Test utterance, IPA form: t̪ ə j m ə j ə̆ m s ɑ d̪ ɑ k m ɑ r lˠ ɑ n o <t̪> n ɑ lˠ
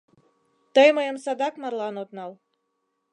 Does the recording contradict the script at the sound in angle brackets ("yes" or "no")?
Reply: no